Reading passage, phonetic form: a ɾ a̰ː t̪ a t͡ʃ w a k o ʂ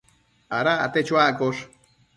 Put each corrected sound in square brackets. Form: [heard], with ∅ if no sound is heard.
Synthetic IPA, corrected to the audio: a ɾ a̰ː t̪ [e] t͡ʃ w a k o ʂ